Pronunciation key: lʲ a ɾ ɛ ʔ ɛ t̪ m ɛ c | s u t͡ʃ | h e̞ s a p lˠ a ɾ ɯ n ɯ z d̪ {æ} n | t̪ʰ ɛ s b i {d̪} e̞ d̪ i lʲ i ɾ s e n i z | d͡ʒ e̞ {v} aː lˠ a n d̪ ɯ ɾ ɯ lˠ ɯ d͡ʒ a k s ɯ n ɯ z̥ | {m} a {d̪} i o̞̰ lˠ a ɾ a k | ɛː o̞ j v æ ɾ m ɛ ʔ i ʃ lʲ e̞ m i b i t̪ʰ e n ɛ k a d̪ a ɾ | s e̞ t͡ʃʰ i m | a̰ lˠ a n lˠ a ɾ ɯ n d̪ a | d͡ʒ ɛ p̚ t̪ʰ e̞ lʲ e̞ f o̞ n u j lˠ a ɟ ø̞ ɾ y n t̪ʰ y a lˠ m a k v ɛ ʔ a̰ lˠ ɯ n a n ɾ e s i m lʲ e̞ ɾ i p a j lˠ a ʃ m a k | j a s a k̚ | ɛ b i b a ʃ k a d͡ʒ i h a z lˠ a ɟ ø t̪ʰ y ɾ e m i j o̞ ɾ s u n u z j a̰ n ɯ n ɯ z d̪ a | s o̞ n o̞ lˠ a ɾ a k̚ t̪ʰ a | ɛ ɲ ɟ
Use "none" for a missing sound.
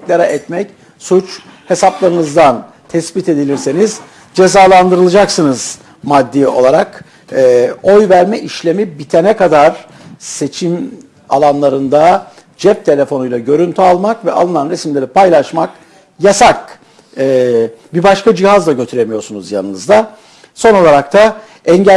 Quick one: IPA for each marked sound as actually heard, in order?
a, t̪, z, m, d̪ː

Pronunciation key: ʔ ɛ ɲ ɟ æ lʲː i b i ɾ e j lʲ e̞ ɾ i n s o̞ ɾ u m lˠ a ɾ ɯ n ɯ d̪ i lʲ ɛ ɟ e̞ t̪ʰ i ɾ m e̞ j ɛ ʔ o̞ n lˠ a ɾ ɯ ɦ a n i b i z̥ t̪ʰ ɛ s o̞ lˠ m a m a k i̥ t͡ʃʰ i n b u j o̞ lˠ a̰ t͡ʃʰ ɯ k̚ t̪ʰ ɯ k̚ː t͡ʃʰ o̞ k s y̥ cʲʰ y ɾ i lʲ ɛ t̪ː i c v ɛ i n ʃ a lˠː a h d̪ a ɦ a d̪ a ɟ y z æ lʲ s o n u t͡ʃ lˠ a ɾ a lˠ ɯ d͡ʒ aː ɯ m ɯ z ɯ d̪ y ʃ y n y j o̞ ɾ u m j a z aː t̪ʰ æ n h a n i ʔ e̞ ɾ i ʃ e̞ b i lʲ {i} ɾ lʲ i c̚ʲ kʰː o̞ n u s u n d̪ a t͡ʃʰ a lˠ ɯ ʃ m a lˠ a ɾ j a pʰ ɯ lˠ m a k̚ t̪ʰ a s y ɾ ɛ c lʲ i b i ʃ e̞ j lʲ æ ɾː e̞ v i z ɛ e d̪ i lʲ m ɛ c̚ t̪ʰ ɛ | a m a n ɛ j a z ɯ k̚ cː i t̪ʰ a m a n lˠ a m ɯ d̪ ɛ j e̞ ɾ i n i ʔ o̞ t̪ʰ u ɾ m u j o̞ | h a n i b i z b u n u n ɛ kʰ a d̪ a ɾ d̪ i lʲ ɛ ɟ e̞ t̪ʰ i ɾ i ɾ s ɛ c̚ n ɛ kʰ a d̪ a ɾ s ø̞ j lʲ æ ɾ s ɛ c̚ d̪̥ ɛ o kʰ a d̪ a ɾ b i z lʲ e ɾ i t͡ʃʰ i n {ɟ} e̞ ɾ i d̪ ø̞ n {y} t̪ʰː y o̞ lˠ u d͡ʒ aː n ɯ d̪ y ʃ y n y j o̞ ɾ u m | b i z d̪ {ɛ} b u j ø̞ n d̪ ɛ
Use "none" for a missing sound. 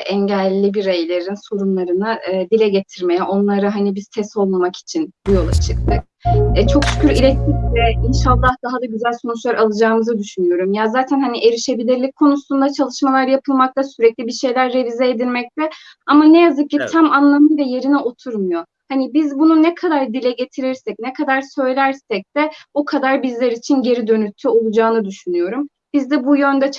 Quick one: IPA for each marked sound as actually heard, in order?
i, ɟ, y, ɛ

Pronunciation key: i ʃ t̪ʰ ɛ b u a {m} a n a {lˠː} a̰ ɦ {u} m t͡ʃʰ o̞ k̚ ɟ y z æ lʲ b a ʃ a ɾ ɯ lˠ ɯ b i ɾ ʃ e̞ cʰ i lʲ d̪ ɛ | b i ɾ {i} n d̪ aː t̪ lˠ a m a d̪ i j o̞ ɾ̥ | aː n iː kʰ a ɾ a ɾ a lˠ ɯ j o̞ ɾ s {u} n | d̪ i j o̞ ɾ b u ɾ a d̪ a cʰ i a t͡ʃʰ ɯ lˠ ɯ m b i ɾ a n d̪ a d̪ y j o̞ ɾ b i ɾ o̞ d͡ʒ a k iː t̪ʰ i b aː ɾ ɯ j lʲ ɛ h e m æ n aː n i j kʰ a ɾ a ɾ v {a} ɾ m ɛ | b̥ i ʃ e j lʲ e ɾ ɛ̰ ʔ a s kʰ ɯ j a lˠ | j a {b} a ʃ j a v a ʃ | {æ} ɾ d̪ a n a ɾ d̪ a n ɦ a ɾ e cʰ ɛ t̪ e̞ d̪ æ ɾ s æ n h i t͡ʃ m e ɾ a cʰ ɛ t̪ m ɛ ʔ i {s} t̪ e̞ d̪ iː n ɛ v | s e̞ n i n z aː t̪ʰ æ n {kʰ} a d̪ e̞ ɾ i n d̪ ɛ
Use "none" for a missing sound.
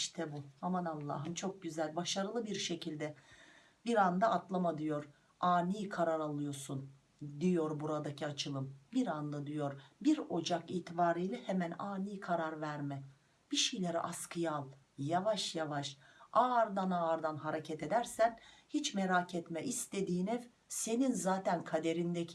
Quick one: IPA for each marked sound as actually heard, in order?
m, lˠː, ɯ, a, u, æ, v, a, s, kʰ

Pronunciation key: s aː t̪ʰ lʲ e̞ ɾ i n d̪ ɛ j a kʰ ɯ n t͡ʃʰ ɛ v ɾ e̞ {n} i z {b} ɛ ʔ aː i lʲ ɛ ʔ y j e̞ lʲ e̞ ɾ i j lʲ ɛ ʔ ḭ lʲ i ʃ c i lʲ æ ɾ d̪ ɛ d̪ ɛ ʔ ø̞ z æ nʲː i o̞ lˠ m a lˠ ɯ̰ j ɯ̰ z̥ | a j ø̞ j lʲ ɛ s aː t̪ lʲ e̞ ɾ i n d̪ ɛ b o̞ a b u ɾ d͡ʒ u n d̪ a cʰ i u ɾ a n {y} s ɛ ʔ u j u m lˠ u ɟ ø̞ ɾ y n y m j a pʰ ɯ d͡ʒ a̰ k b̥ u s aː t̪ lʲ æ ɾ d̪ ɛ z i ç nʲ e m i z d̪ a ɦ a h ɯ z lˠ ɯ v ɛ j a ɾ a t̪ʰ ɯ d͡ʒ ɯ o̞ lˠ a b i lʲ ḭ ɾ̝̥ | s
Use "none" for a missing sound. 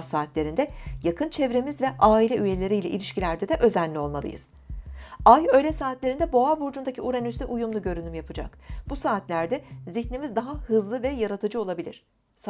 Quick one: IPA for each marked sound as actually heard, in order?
m, v, y

